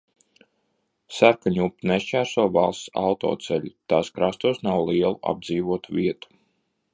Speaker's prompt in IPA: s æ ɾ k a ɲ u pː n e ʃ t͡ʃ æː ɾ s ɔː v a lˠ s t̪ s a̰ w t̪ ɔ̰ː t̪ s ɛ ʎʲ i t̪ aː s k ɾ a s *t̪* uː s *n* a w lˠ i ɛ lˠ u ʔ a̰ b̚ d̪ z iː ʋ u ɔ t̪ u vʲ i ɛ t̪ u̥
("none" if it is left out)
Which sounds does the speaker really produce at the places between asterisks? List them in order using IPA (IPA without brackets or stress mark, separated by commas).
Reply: t̪, n